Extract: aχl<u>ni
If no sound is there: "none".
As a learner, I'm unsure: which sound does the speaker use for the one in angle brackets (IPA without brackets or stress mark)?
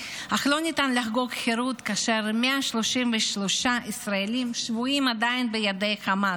o